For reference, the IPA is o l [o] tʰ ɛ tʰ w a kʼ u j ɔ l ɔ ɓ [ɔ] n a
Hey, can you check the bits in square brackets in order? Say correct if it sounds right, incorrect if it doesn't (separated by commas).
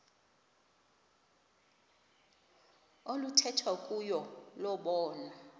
incorrect, incorrect